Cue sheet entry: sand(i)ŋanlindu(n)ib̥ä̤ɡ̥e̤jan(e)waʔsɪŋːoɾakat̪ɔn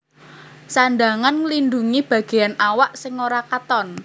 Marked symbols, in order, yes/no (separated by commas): no, no, no